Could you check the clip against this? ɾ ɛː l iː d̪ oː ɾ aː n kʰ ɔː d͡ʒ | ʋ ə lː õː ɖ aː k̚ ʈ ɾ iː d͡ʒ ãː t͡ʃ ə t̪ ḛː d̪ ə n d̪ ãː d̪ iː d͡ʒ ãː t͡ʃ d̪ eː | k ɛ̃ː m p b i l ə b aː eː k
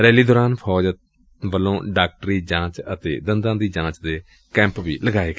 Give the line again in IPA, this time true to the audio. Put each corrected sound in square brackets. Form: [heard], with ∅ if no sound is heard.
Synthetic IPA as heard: ɾ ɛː l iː d̪ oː ɾ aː n [pʰ] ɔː d͡ʒ | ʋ ə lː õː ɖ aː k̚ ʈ ɾ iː d͡ʒ ãː t͡ʃ ə t̪ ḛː d̪ ə n d̪ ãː d̪ iː d͡ʒ ãː t͡ʃ d̪ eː | k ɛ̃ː m p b [iː] l ə [ɡ] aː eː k

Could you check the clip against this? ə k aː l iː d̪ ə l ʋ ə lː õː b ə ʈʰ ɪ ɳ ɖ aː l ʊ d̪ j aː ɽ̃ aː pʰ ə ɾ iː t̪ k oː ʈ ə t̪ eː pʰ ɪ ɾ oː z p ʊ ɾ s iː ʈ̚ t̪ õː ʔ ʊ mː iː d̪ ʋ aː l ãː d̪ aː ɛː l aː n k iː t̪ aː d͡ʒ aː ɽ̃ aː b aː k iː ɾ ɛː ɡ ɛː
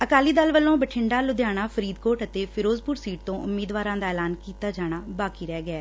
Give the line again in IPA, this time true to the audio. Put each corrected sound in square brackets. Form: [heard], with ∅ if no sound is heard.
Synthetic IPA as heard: ə k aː l iː d̪ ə l ʋ ə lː õː b ə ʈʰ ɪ ɳ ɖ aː l ʊ d̪ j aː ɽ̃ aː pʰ ə ɾ iː [d̪] k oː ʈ ə t̪ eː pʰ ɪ ɾ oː z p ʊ ɾ s iː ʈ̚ t̪ õː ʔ ʊ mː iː d̪ ʋ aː [ɾ] ãː d̪ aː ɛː l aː n k iː t̪ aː d͡ʒ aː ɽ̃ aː b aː k iː ɾ ɛː ɡ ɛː

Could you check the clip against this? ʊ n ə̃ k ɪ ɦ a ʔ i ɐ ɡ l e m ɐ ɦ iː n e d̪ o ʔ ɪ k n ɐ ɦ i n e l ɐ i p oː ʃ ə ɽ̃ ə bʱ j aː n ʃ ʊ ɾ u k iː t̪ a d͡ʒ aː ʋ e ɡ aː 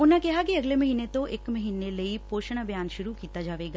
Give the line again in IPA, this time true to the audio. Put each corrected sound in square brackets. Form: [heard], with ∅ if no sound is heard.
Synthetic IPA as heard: ʊ n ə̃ k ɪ ɦ a [k] i ɐ ɡ l e m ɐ ɦ iː n e [t̪] o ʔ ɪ k [m] ɐ ɦ [iː] n e l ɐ i p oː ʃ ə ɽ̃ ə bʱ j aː n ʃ ʊ ɾ u k iː t̪ a d͡ʒ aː ʋ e ɡ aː

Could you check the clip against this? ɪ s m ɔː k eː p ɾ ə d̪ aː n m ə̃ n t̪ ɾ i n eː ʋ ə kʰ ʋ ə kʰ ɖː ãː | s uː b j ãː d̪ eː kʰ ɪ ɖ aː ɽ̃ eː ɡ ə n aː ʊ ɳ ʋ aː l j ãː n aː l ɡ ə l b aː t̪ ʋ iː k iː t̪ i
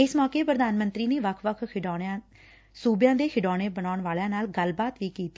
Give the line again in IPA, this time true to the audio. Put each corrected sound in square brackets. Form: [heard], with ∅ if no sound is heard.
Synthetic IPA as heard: ɪ s m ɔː k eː p ɾ ə d̪ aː n m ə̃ n t̪ ɾ [iː] n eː ʋ ə kʰ ʋ ə kʰ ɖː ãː | s uː b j ãː d̪ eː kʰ ɪ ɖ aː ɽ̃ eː [b] ə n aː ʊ ɳ ʋ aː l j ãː n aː l ɡ ə l b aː t̪ ʋ iː k iː t̪ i

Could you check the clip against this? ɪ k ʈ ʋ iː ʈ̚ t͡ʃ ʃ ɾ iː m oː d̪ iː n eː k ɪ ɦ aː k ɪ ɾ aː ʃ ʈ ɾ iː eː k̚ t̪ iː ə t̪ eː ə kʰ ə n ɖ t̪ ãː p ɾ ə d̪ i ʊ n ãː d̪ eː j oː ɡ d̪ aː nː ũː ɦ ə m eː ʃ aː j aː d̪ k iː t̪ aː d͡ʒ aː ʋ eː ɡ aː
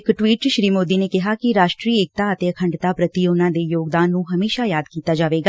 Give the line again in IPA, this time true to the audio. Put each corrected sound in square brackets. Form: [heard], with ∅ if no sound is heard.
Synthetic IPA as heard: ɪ k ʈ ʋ iː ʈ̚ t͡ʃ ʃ ɾ iː m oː d̪ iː n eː k ɪ ɦ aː k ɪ ɾ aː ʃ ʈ ɾ iː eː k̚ t̪ [aː] ə t̪ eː ə kʰ ə [ɳ] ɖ t̪ [aː] p ɾ ə [t̪] i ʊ n ãː d̪ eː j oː ɡ d̪ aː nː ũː ɦ ə m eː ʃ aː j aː d̪ k iː t̪ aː d͡ʒ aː ʋ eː ɡ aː

